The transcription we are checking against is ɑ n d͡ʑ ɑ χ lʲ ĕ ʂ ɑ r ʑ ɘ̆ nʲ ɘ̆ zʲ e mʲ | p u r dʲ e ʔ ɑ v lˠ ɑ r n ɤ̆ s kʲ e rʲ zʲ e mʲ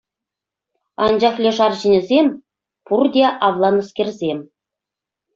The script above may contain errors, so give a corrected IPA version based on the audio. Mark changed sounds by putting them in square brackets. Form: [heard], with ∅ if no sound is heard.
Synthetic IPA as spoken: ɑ n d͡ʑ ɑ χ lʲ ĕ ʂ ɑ r ʑ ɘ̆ nʲ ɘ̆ zʲ e mʲ | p u r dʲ e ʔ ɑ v lˠ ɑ [∅] n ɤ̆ s kʲ e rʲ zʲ e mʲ